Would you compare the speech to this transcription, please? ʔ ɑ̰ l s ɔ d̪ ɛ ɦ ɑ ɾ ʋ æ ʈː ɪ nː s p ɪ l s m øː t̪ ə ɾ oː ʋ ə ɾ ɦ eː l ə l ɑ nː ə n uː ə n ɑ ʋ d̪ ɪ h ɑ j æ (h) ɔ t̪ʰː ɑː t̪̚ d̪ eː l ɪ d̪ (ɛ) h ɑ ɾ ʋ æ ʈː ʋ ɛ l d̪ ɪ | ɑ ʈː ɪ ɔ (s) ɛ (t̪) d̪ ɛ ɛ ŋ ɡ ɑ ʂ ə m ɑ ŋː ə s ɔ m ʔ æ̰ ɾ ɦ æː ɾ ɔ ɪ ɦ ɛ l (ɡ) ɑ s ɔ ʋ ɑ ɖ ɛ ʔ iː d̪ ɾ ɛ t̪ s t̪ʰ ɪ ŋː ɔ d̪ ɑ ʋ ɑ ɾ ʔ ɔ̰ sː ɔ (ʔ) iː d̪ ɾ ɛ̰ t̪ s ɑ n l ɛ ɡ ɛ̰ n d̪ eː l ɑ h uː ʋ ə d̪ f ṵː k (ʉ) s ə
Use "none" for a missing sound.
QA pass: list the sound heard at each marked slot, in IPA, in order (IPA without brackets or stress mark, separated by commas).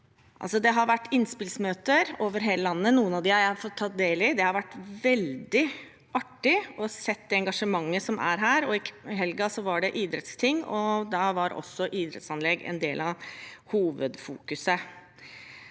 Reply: f, ɛ, s, t̪, ɡ, ʔ, ʉ